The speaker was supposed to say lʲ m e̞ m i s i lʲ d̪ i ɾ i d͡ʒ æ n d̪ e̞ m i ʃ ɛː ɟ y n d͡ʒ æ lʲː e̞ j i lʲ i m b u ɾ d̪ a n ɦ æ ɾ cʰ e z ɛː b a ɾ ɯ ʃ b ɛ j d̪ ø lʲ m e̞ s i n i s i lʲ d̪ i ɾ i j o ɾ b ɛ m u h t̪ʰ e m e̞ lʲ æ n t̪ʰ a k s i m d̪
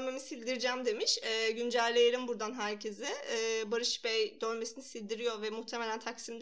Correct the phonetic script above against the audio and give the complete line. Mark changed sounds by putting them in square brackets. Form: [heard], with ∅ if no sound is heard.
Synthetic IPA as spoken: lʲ m e̞ m i s i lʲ d̪ i ɾ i d͡ʒ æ [m] d̪ e̞ m i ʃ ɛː ɟ y n d͡ʒ æ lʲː e̞ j [e] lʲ i m b u ɾ d̪ a n ɦ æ ɾ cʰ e z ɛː b a ɾ ɯ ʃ b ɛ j d̪ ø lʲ m e̞ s i n i s i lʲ d̪ i ɾ i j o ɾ [v] ɛ m u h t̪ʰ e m e̞ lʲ æ n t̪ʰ a k s i m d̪